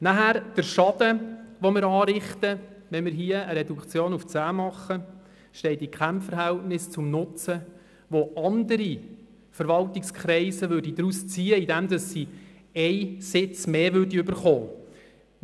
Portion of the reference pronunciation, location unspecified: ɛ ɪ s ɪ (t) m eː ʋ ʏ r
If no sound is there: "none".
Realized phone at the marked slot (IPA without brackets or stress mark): t͡s